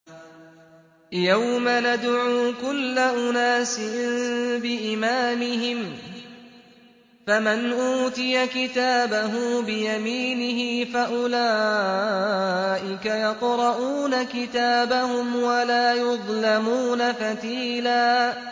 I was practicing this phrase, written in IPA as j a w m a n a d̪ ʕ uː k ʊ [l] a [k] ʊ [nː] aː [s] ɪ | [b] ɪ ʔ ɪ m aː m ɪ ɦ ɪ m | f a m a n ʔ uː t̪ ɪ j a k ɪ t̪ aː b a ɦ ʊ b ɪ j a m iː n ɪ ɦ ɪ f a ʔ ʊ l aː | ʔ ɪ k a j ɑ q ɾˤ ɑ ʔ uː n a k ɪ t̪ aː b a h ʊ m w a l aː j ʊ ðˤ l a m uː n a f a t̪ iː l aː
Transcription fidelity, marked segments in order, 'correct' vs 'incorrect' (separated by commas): incorrect, incorrect, incorrect, correct, correct